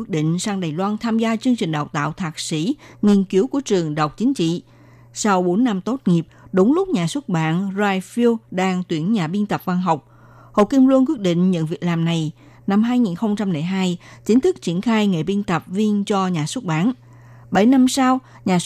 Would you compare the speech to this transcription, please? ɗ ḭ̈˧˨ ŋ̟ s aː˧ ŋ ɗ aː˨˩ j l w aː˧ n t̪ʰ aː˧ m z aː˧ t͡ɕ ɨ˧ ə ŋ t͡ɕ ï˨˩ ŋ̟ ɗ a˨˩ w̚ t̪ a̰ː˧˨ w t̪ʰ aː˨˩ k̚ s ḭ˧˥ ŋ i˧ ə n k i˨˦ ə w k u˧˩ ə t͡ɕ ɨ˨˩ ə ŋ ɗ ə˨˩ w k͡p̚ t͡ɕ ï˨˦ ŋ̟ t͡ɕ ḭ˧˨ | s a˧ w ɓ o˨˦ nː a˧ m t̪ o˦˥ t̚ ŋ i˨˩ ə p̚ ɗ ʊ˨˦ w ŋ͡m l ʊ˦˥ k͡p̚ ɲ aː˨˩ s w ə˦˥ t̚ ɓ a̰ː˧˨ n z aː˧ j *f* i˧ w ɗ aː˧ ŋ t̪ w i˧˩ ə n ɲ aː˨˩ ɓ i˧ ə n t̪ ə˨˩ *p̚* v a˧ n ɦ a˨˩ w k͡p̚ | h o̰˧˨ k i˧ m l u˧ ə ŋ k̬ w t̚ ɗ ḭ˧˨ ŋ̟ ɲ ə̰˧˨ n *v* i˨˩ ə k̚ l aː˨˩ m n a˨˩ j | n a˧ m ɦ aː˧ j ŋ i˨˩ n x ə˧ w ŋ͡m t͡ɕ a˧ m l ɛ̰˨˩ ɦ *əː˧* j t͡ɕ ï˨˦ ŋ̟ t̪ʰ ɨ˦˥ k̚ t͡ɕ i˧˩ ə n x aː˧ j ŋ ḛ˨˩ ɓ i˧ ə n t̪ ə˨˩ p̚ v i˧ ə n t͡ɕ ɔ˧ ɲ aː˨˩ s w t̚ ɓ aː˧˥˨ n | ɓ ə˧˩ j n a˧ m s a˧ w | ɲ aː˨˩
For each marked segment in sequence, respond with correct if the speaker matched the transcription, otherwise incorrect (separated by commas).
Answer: correct, correct, correct, incorrect